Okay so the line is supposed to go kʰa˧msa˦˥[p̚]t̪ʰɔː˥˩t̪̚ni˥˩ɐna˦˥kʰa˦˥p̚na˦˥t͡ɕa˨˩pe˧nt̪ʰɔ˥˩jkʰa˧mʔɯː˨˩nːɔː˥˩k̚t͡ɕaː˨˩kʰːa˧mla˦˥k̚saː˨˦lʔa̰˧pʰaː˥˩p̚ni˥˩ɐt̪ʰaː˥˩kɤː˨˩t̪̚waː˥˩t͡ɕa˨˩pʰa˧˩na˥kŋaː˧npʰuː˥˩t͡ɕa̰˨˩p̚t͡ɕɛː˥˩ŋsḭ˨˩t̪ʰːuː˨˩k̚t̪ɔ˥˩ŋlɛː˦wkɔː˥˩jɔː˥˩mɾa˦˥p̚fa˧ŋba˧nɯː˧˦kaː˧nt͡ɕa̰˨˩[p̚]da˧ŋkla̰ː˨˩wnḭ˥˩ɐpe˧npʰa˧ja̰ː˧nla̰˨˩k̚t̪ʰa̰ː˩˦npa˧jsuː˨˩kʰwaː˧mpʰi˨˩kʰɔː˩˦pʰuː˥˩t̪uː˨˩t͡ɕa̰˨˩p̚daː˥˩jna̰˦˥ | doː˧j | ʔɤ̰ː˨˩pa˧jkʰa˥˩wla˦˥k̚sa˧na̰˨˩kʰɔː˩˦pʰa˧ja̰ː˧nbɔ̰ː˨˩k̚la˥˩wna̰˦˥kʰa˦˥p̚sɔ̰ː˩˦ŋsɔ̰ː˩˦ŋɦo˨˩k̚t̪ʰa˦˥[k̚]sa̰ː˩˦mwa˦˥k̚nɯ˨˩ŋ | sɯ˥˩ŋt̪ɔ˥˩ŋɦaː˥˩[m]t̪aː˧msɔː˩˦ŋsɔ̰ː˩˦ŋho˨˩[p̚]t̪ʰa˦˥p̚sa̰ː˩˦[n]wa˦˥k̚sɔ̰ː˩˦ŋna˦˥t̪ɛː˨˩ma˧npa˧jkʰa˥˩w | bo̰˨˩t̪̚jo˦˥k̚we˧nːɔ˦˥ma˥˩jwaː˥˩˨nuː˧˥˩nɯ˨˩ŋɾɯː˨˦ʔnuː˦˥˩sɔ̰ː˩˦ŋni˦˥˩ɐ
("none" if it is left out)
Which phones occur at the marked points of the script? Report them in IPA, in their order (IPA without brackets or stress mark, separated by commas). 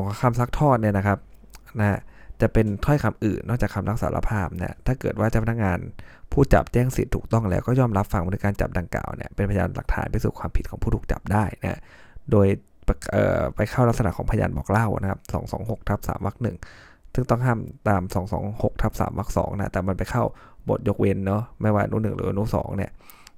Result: k̚, p̚, p̚, m, k̚, m